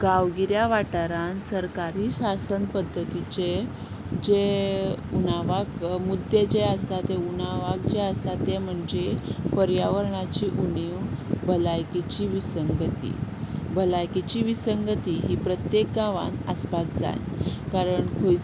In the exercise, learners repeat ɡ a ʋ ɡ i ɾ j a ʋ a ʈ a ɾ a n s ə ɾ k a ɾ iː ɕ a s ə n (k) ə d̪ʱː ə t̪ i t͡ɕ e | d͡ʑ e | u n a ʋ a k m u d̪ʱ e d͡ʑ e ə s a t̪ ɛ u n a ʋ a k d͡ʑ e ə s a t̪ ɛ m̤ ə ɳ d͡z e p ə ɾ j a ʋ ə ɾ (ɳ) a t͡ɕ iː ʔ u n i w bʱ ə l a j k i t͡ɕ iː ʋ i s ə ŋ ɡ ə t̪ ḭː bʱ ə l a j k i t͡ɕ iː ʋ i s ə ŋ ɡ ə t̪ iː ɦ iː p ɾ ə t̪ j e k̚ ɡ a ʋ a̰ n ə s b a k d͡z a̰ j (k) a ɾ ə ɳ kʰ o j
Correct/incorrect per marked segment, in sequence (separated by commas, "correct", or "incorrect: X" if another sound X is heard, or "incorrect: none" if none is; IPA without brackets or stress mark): incorrect: p, correct, correct